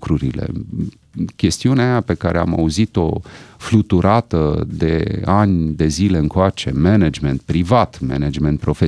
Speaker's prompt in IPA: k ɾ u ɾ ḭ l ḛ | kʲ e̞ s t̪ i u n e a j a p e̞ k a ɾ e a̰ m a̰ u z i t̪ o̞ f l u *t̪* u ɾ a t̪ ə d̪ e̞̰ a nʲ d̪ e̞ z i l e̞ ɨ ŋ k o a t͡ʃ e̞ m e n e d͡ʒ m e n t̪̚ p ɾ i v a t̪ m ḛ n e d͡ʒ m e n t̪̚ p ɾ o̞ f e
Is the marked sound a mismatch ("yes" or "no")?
no